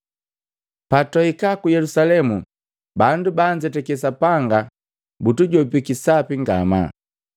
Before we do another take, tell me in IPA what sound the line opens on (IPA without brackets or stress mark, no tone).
p